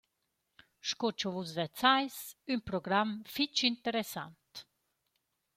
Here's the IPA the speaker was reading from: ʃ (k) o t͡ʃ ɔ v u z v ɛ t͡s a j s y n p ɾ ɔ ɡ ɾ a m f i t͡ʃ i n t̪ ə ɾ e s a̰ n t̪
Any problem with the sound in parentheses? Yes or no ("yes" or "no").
no